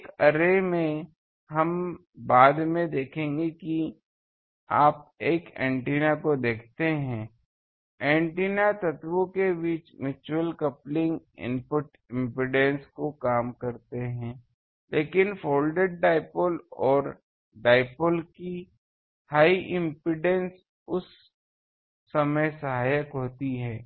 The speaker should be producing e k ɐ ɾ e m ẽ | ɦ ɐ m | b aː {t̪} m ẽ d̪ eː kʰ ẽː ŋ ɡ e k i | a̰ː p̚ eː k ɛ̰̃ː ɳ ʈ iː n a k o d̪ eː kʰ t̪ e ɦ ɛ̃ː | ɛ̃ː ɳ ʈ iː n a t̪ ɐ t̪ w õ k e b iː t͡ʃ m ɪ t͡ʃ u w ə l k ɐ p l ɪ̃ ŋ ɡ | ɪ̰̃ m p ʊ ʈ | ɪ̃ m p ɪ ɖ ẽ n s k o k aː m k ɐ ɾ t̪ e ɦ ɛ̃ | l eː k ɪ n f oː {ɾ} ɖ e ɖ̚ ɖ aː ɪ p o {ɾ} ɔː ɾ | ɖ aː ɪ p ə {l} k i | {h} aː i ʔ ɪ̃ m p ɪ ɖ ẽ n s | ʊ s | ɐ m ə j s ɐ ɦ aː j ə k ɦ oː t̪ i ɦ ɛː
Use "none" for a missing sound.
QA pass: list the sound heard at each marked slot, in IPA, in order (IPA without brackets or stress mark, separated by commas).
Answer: d̪, l, l, l, h